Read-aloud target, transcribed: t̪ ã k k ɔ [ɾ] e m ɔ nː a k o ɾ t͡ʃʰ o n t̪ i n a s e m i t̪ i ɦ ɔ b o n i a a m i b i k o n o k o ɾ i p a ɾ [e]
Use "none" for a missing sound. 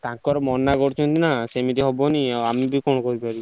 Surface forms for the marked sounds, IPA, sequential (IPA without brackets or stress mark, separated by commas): ɾ, i